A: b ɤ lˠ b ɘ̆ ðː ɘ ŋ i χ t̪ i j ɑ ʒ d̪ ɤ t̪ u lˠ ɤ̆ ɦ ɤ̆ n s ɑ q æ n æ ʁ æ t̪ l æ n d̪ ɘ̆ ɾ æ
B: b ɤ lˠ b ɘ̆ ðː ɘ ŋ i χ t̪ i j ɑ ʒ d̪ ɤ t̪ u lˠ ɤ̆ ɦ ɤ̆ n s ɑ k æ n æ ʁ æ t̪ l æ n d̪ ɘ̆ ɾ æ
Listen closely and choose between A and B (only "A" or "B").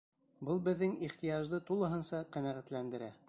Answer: A